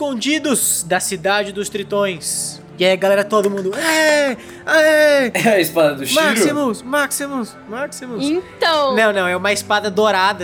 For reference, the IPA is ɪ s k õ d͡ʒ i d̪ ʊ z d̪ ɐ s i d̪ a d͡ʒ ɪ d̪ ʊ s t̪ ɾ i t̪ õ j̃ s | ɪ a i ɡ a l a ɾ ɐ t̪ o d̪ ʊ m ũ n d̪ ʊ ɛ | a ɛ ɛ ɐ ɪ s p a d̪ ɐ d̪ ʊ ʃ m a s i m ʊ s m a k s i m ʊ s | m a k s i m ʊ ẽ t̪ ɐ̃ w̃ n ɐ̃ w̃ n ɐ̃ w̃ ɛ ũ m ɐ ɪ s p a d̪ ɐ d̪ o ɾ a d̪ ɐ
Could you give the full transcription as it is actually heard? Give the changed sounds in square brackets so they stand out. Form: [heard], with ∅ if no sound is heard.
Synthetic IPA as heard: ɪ s k õ d͡ʒ i d̪ ʊ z d̪ ɐ s i d̪ a d͡ʒ ɪ d̪ ʊ s t̪ ɾ i t̪ õ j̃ s | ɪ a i ɡ a l [ɛ] ɾ ɐ t̪ o d̪ ʊ m ũ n d̪ ʊ ɛ | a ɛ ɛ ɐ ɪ s p a d̪ ɐ d̪ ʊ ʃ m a s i m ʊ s m a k s i m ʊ s | m a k s i m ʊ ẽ t̪ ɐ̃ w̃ n ɐ̃ w̃ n ɐ̃ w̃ ɛ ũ m ɐ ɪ s p a d̪ ɐ d̪ o ɾ a d̪ ɐ